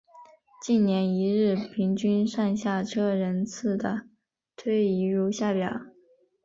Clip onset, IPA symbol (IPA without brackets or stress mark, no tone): t͡ɕ